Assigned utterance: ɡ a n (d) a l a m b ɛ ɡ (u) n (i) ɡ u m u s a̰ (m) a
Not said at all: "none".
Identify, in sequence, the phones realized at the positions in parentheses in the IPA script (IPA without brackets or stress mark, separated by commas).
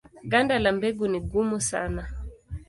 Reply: d, u, i, n